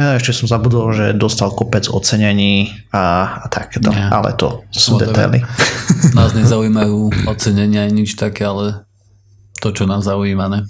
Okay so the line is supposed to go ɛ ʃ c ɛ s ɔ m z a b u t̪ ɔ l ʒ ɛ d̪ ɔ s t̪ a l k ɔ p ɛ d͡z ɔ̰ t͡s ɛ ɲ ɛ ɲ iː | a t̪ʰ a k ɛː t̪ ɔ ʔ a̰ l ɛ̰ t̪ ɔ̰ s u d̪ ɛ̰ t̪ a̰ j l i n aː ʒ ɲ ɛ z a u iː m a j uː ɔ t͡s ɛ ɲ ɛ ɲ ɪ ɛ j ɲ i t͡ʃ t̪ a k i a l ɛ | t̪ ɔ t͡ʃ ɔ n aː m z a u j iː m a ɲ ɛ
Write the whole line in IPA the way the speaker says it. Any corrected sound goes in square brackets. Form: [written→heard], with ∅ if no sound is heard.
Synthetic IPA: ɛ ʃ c ɛ s ɔ m z a b u [t̪→d̪] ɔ l ʒ ɛ d̪ ɔ s t̪ a l k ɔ p ɛ d͡z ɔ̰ t͡s ɛ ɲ ɛ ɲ iː | a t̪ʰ a k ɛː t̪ ɔ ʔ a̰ l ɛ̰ t̪ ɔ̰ s u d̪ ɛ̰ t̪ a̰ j l i n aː [ʒ→z] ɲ ɛ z a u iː m a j uː ɔ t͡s ɛ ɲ ɛ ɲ ɪ [ɛ→a] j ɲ i t͡ʃ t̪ a k [i→ɛ] a l ɛ | t̪ ɔ t͡ʃ ɔ n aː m z a u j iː m a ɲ ɛ